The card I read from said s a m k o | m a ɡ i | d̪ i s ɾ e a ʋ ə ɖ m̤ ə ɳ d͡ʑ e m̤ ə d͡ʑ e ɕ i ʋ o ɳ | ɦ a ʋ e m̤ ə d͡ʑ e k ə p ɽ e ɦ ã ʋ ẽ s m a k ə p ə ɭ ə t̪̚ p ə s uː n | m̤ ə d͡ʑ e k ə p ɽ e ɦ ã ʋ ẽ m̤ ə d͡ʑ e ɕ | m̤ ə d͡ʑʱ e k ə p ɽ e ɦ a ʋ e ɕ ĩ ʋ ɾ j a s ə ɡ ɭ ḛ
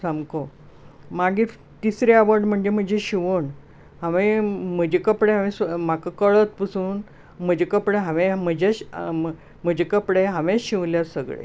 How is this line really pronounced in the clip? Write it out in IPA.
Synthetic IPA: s a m k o | m a ɡ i | t̪ i s ɾ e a ʋ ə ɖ m̤ ə ɳ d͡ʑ e m̤ ə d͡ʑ e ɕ i ʋ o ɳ | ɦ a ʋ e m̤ ə d͡ʑ e k ə p ɽ e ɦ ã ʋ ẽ s m a k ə k ə ɭ ə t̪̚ p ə s uː n | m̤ ə d͡ʑ e k ə p ɽ e ɦ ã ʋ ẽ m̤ ə d͡ʑ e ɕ | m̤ ə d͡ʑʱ e k ə p ɽ e ɦ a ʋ e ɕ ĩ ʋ l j a s ə ɡ ɭ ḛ